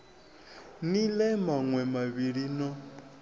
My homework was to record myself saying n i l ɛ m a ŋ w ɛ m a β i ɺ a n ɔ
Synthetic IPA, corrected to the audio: n i l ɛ m a ŋ w ɛ m a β i ɺ i n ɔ